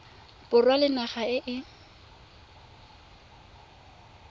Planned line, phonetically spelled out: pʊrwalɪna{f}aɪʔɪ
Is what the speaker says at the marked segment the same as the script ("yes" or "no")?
no